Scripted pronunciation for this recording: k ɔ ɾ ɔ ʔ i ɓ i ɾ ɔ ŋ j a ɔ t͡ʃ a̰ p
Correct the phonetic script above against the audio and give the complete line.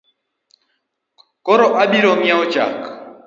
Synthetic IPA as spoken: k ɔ ɾ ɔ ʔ a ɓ i ɾ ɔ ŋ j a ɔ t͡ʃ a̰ k